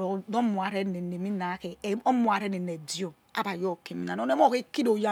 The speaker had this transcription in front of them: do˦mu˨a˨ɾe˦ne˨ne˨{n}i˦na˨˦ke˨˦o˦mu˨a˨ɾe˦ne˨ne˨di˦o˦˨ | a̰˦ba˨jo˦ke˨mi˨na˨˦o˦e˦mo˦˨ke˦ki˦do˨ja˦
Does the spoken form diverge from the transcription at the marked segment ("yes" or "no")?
yes